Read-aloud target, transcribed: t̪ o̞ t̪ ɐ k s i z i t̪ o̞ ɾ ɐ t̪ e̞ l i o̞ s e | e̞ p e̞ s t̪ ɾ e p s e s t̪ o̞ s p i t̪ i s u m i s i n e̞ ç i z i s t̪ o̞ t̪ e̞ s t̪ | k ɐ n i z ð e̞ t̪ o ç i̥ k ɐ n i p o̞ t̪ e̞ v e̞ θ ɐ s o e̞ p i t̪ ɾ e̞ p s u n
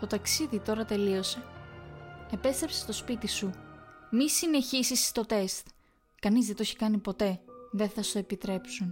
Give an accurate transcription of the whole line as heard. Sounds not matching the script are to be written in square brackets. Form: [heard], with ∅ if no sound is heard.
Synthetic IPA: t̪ o̞ t̪ ɐ k s i [ð] i t̪ o̞ ɾ ɐ t̪ e̞ l i o̞ s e | e̞ p e̞ s t̪ ɾ e p s e s t̪ o̞ s p i t̪ i s u m i s i n e̞ ç i [s] i s t̪ o̞ t̪ e̞ s t̪ | k ɐ n i z ð e̞ t̪ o ç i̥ k ɐ n i p o̞ t̪ e̞ [ð] e̞ θ ɐ s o e̞ p i t̪ ɾ e̞ p s u n